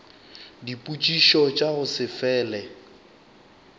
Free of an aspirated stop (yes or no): yes